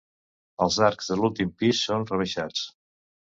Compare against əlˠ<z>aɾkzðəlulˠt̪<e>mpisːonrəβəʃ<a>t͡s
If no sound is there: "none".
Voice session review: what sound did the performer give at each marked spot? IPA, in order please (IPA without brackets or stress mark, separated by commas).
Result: z, i, a